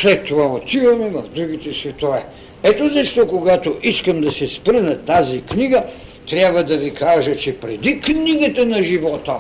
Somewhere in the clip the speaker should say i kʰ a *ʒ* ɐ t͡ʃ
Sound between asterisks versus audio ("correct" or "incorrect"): correct